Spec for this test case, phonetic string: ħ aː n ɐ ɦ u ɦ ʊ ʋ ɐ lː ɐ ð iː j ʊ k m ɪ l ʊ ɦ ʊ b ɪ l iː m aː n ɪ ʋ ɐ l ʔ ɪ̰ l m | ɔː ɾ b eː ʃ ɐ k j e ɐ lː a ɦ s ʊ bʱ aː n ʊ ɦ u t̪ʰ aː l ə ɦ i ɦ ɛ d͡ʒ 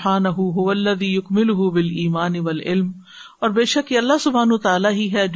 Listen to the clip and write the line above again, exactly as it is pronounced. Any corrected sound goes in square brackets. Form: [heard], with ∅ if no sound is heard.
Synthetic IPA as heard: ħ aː n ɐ ɦ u ɦ ʊ ʋ ɐ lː ɐ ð iː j ʊ k m ɪ l ʊ ɦ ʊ b ɪ l iː m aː n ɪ ʋ ɐ l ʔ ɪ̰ l m | ɔː ɾ b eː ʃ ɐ k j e ɐ lː a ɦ s ʊ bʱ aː n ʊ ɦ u [t̪] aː l [a] ɦ i ɦ ɛ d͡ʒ